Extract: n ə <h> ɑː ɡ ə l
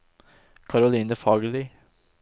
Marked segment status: incorrect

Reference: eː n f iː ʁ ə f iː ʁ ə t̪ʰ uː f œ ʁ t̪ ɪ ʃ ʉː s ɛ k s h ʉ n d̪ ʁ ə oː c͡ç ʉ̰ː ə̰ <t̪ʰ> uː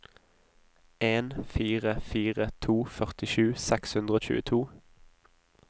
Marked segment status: correct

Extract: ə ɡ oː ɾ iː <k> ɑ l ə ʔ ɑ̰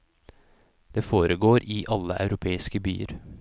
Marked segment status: incorrect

